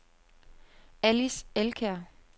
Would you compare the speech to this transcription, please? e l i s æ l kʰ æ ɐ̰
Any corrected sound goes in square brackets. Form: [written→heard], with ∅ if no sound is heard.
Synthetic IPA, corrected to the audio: [e→æ] l i s [æ→e] l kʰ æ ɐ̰